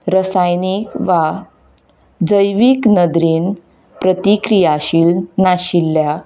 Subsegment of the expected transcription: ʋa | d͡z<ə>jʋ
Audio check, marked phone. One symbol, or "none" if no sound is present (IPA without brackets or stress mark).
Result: ə